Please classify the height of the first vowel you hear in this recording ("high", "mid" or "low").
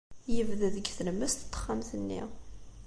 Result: mid